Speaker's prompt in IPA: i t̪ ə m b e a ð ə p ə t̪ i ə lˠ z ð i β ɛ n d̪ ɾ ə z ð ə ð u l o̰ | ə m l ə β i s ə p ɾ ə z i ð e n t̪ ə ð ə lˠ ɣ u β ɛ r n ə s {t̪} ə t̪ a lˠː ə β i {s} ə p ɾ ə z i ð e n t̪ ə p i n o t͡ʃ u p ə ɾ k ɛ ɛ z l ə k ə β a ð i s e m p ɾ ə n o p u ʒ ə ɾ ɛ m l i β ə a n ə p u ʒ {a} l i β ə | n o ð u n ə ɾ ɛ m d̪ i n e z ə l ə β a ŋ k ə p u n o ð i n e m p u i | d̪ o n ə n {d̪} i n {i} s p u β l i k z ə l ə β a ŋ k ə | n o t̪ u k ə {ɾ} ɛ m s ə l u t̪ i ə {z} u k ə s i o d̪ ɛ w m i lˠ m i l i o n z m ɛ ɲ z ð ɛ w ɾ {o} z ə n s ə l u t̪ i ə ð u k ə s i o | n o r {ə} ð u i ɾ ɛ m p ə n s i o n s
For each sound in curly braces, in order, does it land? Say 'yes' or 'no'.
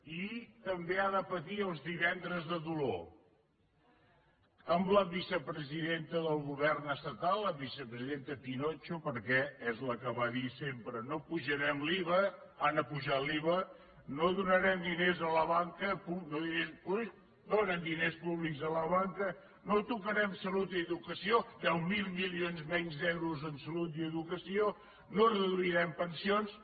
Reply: yes, yes, yes, yes, no, yes, no, no, yes

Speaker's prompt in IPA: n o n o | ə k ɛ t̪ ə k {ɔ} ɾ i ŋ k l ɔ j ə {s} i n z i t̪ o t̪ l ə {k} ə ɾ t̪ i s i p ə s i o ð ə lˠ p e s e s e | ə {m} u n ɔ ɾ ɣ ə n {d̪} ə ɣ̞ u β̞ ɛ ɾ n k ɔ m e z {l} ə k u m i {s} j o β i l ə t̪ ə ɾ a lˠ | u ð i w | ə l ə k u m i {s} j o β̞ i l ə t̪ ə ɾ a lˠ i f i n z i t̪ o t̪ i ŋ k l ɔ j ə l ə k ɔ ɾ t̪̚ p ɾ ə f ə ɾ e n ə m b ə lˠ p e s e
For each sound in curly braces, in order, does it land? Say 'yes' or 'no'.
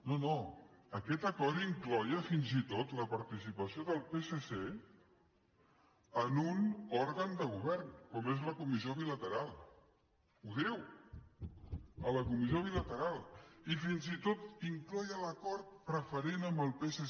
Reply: yes, no, no, no, yes, yes, no, no

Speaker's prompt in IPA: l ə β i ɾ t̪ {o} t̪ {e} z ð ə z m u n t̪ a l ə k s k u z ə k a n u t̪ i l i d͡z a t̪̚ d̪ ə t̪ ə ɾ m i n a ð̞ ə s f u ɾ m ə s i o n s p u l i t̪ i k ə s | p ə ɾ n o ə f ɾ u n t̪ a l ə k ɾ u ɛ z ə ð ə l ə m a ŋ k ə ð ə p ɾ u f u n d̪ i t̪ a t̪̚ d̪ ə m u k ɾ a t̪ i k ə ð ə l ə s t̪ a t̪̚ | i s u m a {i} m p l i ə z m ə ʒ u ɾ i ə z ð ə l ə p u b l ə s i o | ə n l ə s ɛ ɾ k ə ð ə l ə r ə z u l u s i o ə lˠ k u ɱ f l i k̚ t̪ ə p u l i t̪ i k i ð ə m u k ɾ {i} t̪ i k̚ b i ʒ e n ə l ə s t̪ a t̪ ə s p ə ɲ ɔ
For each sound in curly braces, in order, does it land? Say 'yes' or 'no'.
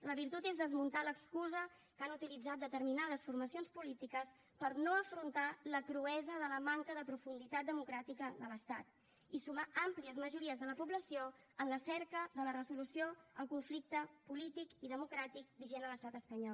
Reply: no, yes, no, no

